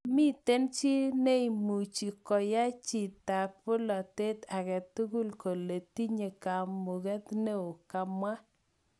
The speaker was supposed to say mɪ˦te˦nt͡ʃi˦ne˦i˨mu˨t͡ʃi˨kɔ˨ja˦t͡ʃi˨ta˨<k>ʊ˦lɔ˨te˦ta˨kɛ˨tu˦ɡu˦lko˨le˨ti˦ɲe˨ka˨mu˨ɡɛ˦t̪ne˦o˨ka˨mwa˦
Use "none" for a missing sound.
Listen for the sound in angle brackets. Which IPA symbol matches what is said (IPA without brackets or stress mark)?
p